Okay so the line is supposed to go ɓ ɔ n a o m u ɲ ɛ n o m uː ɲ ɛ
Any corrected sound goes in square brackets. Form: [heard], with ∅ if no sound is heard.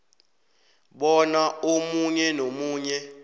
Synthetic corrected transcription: ɓ ɔ n a o m u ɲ ɛ n o m uː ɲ ɛ